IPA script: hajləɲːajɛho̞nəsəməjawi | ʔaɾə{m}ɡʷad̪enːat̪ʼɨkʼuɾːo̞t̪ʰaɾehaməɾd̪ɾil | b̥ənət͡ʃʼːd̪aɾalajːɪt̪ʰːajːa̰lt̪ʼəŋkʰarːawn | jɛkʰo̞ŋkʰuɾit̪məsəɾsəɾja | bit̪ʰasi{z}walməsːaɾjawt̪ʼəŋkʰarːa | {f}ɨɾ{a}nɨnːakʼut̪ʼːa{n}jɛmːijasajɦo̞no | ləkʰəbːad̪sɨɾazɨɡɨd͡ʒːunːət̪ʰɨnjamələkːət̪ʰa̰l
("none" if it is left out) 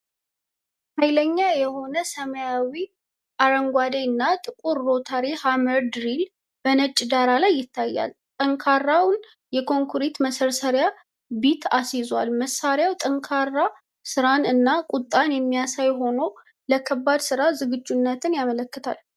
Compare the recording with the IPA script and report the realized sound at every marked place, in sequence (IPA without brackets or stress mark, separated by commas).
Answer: ŋ, z, s, a, n